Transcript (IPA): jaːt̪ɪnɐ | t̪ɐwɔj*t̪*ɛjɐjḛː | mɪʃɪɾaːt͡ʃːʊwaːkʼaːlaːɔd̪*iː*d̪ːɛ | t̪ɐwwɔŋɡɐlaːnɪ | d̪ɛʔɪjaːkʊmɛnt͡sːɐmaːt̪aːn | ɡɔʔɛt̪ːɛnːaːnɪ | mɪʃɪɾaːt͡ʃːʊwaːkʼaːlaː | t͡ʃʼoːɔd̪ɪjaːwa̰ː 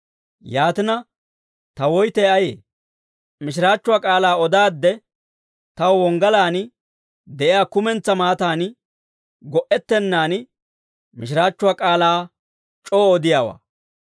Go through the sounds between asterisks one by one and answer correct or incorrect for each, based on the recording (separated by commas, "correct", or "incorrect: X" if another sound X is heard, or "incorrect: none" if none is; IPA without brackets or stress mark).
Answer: correct, incorrect: aː